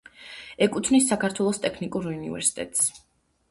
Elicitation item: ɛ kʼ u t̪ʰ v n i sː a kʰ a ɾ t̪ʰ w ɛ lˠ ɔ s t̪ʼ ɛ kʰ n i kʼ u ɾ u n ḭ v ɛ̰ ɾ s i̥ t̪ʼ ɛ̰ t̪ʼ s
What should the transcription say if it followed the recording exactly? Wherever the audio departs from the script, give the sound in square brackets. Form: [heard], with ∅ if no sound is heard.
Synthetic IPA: ɛ kʼ u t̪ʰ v n i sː a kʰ a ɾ t̪ʰ w ɛ lˠ ɔ s t̪ʼ ɛ kʰ n i kʼ u ɾ u n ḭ v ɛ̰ ɾ s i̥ t̪ʼ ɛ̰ t̪ʼ s